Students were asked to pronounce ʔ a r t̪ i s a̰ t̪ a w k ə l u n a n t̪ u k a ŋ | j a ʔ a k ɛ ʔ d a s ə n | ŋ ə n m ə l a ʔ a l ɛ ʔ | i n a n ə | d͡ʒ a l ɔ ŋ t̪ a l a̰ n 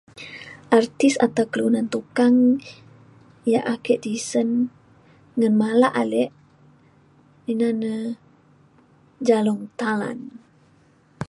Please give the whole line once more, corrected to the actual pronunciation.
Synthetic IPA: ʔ a r t̪ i s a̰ t̪ a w k ə l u n a n t̪ u k a ŋ | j a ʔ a k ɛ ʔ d i s ə n | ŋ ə n m a l a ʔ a l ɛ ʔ | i n a n ə | d͡ʒ a l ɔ ŋ t̪ a l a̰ n